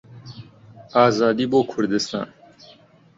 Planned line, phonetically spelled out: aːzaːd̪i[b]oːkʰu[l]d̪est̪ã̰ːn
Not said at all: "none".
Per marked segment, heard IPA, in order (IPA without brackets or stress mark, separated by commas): b, ɾ